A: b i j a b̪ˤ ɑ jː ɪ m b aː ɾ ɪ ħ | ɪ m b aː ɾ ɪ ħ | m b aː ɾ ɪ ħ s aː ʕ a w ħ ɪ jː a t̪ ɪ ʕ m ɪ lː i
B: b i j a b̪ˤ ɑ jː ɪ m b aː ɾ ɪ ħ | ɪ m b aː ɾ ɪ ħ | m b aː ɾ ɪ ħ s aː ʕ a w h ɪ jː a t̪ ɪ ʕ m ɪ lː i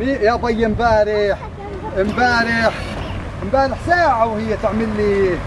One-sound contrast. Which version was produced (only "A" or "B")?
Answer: B